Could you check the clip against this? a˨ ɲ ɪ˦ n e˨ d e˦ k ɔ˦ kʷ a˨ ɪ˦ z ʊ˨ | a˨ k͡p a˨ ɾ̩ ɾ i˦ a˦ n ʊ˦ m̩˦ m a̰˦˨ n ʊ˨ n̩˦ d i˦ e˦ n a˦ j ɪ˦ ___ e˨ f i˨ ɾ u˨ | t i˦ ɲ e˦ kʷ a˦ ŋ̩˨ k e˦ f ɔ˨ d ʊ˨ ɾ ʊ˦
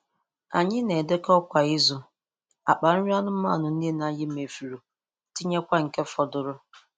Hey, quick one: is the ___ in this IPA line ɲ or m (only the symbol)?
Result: m